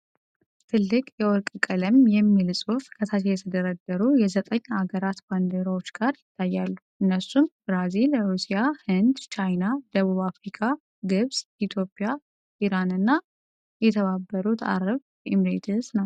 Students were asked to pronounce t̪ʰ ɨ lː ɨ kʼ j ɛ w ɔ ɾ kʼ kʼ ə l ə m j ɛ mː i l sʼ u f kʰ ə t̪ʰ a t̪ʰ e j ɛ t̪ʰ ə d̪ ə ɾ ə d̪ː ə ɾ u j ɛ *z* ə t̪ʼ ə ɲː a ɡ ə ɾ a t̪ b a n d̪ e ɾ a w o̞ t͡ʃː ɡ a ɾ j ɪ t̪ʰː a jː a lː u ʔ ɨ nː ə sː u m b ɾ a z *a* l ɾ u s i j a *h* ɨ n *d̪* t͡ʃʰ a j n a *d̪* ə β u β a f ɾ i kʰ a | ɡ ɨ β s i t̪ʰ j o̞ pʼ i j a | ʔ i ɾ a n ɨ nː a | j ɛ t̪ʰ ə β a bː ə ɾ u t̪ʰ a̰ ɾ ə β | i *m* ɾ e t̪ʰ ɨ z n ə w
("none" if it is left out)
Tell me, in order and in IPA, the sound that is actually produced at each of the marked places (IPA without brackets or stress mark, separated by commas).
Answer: z, i, h, d̪, d̪, m